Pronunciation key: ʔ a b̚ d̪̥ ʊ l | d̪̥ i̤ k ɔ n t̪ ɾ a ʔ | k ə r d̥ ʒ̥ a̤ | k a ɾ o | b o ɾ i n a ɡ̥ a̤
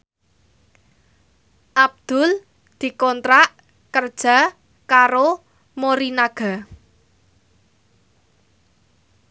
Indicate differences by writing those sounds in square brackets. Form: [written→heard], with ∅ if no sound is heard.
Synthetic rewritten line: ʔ a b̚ d̪̥ ʊ l | d̪̥ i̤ k ɔ n t̪ ɾ a ʔ | k ə r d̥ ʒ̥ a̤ | k a ɾ o | [b→m] o ɾ i n a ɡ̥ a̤